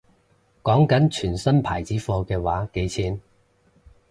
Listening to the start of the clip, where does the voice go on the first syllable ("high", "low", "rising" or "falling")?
rising